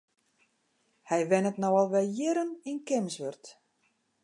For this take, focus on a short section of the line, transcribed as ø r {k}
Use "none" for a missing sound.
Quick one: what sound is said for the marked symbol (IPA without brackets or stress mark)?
t